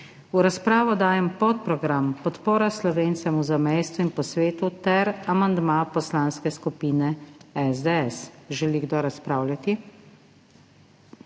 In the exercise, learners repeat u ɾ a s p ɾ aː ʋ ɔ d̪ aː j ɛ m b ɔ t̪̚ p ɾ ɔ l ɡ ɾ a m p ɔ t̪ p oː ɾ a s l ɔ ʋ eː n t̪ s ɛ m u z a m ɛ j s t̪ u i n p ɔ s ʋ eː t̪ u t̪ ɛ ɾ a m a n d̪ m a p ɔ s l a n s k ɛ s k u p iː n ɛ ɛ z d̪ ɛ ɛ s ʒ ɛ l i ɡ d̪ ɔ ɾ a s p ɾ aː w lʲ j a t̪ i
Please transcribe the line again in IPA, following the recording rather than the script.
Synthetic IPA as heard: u ɾ a s p ɾ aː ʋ ɔ d̪ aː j ɛ m p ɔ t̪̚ p ɾ ɔ ɡ ɾ a m p ɔ t̪ p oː ɾ a s l ɔ ʋ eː n t̪ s ɛ m u z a m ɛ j s t̪ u i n p ɔ s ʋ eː t̪ u t̪ ɛ ɾ a m a n d̪ m a p ɔ s l a n s k ɛ s k u p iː n ɛ ɛ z d̪ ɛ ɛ s ʒ ɛ l i ɡ d̪ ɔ ɾ a s p ɾ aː w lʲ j a t̪ i

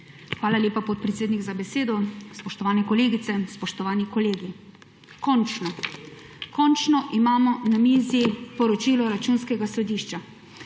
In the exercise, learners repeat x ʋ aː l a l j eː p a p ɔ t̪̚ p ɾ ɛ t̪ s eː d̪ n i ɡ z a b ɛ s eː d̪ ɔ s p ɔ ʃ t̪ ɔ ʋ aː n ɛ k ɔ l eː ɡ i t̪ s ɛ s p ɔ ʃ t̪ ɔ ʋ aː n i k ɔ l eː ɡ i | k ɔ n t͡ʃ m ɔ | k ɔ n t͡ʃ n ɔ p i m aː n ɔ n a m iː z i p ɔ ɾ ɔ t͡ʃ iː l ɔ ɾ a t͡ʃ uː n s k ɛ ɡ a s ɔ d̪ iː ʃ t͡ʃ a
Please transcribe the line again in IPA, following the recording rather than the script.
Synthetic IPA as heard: x ʋ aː l a l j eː p a p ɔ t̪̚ p ɾ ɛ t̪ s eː d̪ n i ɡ z a b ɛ s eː d̪ ɔ s p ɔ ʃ t̪ ɔ ʋ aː n ɛ k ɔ l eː ɡ i t̪ s ɛ s p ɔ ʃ t̪ ɔ ʋ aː n i k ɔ l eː ɡ i | k ɔ n t͡ʃ n ɔ | k ɔ n t͡ʃ n ɔ ʔ i m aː m ɔ n a m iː z i p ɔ ɾ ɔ t͡ʃ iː l ɔ ɾ a t͡ʃ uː n s k ɛ ɡ a s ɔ d̪ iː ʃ t͡ʃ a

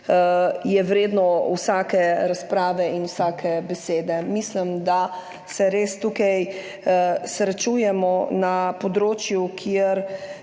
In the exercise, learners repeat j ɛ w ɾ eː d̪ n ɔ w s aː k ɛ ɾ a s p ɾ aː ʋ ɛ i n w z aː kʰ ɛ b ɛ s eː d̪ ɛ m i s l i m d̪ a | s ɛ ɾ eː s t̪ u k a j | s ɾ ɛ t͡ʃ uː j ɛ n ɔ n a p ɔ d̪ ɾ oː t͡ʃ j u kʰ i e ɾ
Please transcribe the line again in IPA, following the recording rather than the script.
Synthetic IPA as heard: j ɛ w ɾ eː d̪ n ɔ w s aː k ɛ ɾ a s p ɾ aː ʋ ɛ i n w s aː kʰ ɛ b ɛ s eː d̪ ɛ m i s l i m d̪ a | s ɛ ɾ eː s t̪ u k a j | s ɾ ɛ t͡ʃ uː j ɛ m ɔ n a p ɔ d̪ ɾ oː t͡ʃ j u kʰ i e ɾ

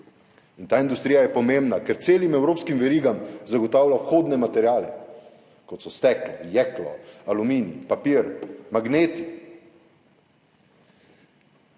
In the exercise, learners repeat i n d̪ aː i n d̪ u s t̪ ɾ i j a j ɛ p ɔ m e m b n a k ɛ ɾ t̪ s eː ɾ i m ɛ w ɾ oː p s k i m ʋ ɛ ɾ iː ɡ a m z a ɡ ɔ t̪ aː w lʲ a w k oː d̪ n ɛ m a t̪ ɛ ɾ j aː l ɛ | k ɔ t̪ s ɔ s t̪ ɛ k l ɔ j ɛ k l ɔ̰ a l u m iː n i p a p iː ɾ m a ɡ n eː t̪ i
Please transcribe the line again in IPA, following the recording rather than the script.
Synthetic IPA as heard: i n t̪ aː i n d̪ u s t̪ ɾ i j a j ɛ p ɔ m e m b n a k ɛ ɾ t̪ s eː l i m ɛ w ɾ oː p s k i m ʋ ɛ ɾ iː ɡ a m z a ɡ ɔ t̪ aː w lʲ a w x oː d̪ n ɛ m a t̪ ɛ ɾ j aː l ɛ | k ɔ t̪ s ɔ s t̪ ɛ k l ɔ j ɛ k l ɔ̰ a l u m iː n i p a p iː ɾ m a ɡ n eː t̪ i

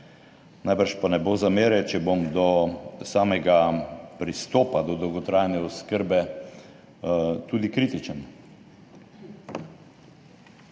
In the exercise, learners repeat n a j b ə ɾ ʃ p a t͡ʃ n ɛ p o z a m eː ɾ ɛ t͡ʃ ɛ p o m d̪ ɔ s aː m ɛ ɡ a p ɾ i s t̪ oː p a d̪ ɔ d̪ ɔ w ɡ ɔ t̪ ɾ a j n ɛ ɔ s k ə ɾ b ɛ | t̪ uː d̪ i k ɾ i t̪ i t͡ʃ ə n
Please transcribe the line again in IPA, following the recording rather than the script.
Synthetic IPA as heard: n a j b ə ɾ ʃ p a n ɛ b o z a m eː ɾ ɛ t͡ʃ ɛ b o m d̪ ɔ s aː m ɛ ɡ a p ɾ i s t̪ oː p a d̪ ɔ d̪ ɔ w ɡ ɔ t̪ ɾ a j n ɛ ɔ s k ə ɾ b ɛ | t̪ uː d̪ i k ɾ i t̪ i t͡ʃ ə n

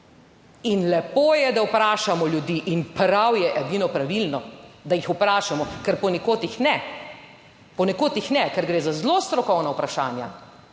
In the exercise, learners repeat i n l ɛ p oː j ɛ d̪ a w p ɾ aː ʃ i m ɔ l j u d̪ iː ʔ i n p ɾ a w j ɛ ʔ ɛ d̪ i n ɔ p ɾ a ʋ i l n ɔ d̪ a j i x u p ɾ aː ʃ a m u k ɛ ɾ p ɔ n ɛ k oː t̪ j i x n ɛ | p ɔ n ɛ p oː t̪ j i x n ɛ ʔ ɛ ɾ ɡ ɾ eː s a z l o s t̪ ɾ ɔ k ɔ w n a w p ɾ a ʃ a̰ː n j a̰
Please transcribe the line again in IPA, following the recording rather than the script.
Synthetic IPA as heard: i n l ɛ p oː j ɛ d̪ a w p ɾ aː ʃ a m ɔ l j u d̪ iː ʔ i n p ɾ a w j ɛ ʔ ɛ d̪ i n ɔ p ɾ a ʋ i l n ɔ d̪ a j i x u p ɾ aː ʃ a m ɔ k ɛ ɾ p ɔ n ɛ k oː t̪ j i x n ɛ | p ɔ n ɛ k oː t̪ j i x n ɛ k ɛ ɾ ɡ ɾ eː z a z l o s t̪ ɾ ɔ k ɔ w n a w p ɾ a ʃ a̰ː n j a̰

